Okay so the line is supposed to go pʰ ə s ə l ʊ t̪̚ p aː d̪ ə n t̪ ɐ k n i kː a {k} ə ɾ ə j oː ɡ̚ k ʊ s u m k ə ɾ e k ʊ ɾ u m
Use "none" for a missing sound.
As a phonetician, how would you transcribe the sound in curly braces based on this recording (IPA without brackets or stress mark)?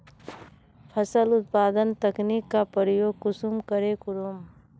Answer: p